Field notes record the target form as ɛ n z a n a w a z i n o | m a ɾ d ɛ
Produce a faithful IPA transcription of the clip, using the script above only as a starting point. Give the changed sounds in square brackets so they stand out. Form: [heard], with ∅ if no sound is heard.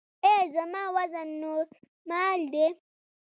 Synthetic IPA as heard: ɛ [∅] z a [m] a w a z [a] n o | m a [l] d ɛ